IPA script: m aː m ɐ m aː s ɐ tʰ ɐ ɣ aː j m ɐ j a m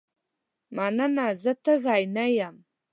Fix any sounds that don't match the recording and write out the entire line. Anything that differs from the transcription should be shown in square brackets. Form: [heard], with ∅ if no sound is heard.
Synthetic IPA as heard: m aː [n] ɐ [n] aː [z] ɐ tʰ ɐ ɣ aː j [n] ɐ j a m